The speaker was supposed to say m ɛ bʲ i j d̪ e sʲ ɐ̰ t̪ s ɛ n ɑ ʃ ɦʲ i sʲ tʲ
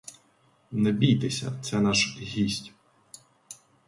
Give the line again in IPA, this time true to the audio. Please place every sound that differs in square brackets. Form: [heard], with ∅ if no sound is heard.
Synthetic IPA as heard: [n] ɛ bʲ i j [t̪] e sʲ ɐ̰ t̪ s ɛ n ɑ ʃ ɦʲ i sʲ tʲ